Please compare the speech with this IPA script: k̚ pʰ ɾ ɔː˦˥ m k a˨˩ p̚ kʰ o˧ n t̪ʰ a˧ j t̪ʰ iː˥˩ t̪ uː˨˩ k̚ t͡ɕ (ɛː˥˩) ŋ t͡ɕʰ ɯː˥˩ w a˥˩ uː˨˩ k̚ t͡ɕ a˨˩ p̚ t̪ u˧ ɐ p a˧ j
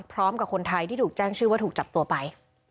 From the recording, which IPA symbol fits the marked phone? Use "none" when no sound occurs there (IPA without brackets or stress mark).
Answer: ɛː˥˩